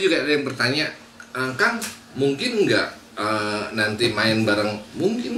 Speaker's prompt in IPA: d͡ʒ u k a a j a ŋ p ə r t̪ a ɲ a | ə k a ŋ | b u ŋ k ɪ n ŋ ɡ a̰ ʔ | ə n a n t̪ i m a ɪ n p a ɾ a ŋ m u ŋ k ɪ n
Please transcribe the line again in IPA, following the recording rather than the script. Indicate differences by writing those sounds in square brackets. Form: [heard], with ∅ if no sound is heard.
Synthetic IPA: d͡ʒ u [ɡ] a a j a ŋ p ə r t̪ a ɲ a | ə k a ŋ | [m] u ŋ k ɪ n ŋ ɡ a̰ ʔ | ə n a n t̪ i m a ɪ n [b] a ɾ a ŋ m u ŋ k ɪ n